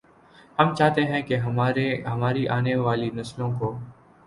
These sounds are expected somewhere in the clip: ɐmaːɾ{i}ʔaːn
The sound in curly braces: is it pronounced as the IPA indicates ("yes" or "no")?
yes